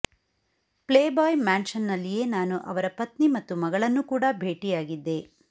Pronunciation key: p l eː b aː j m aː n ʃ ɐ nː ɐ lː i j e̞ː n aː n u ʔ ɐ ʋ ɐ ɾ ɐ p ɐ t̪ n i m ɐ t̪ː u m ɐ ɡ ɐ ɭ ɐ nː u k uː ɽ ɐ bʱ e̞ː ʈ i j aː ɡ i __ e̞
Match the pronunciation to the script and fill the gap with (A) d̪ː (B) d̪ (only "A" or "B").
A